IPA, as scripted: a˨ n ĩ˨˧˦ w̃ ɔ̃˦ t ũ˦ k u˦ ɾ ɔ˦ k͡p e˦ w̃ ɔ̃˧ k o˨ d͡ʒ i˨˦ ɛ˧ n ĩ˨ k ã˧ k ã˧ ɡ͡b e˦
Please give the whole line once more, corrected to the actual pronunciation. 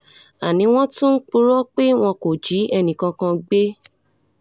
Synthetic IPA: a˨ n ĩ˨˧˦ w̃ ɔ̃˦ t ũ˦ k͡p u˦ ɾ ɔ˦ k͡p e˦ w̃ ɔ̃˧ k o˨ d͡ʒ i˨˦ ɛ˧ n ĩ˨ k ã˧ k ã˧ ɡ͡b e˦